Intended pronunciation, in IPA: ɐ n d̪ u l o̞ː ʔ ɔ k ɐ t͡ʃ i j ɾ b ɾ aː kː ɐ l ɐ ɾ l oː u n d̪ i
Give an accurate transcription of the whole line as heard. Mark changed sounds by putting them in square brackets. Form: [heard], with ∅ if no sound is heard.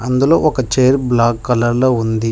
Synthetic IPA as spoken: ɐ n d̪ u l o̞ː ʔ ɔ k ɐ t͡ʃ [e] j ɾ b [l] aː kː ɐ l ɐ ɾ l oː u n d̪ i